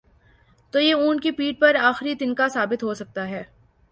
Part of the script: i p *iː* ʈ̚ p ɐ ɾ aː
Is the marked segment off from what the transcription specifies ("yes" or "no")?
no